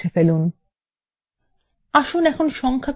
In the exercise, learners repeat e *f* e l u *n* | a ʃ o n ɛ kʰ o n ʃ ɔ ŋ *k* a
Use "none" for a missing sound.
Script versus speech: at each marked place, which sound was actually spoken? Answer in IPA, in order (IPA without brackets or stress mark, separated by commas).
f, n, kʰ